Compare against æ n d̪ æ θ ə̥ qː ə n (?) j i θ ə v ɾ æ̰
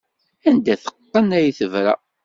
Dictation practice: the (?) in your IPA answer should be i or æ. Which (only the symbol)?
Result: æ